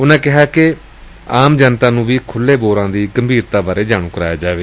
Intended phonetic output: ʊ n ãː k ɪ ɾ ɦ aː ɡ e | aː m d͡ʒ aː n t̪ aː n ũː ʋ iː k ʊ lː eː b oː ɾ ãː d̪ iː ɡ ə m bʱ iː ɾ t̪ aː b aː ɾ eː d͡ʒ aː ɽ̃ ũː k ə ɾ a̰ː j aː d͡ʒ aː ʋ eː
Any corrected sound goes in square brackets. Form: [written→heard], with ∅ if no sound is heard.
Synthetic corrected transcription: ʊ n ãː k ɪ [ɾ→∅] ɦ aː [ɡ→k] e | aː m d͡ʒ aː n t̪ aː n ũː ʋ iː [k→kʰ] ʊ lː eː b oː ɾ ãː d̪ iː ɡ ə m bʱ iː ɾ t̪ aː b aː ɾ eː d͡ʒ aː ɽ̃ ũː k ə ɾ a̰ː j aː d͡ʒ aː ʋ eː